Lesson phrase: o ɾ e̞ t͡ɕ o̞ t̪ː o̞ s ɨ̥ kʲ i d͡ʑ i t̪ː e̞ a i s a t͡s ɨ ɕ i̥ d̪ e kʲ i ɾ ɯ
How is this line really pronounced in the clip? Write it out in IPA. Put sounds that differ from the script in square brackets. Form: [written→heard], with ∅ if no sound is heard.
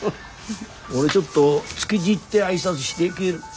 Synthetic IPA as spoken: o ɾ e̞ t͡ɕ o̞ t̪ː o̞ [s→t͡s] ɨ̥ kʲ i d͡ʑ i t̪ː e̞ a i s a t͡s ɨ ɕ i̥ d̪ e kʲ i ɾ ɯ